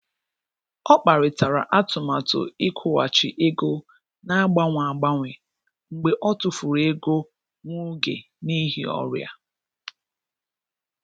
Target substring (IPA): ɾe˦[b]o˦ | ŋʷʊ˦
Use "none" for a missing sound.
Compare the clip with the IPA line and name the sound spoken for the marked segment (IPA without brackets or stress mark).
ɡ